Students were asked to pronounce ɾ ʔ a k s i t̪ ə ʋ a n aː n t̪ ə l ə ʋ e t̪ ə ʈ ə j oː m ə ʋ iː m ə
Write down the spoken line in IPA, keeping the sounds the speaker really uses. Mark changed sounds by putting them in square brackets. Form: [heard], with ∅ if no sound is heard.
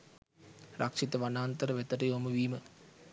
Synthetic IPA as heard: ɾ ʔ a k [ʂ] i t̪ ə ʋ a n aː n t̪ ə [ɾ] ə ʋ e t̪ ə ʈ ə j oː m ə ʋ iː m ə